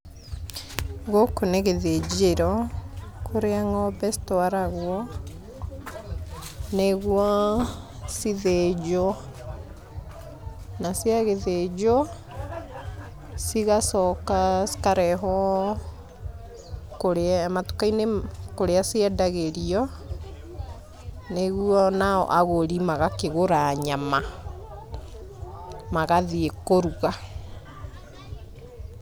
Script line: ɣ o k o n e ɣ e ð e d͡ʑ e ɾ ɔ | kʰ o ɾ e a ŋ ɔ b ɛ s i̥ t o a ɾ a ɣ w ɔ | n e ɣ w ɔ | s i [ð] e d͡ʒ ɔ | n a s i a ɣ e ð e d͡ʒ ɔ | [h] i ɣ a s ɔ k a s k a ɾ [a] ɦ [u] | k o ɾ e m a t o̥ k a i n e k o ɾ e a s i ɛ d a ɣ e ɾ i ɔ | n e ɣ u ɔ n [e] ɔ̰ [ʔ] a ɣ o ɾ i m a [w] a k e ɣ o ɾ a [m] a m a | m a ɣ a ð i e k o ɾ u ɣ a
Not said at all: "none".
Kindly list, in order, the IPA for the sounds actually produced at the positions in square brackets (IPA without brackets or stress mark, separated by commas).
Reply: ð, s, ɛ, ɔ, a, ʔ, ɣ, ɲ